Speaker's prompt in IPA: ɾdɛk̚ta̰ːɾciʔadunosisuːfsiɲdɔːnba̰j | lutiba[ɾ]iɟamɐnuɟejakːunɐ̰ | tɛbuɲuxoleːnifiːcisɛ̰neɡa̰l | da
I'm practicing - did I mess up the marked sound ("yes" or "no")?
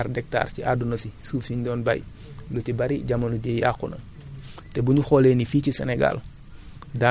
no